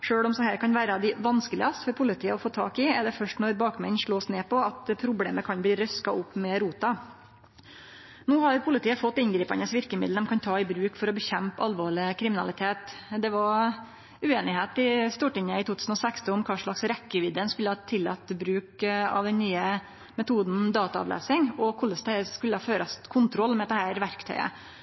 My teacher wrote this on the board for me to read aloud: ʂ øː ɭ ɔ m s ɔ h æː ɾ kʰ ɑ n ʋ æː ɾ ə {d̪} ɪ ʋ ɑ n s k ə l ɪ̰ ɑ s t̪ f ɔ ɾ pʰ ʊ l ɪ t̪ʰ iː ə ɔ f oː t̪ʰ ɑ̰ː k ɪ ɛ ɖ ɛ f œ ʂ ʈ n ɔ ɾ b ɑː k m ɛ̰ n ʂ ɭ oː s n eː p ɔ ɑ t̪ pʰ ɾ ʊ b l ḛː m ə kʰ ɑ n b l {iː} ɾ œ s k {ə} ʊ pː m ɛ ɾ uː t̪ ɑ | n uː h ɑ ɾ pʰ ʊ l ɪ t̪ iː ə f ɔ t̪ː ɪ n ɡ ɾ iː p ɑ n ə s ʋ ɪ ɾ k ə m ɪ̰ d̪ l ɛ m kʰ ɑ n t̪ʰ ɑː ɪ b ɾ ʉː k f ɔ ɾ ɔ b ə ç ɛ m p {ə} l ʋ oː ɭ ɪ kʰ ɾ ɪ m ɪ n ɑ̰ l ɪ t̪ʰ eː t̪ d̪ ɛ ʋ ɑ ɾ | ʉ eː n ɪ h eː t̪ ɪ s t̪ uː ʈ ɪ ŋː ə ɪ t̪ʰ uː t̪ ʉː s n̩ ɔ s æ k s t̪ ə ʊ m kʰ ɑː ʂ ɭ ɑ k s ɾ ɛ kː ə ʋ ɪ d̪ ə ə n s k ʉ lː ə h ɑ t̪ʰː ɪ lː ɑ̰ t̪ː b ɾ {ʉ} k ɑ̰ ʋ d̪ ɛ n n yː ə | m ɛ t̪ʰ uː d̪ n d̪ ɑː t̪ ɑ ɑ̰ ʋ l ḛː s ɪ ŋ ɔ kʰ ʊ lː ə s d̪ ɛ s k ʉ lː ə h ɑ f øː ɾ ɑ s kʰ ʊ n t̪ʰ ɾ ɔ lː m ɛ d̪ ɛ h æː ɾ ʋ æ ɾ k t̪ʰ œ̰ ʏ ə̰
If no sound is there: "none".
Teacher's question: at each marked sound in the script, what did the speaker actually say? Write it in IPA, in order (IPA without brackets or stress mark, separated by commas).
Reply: d̪, iː, ɑ, ɑ, ʉː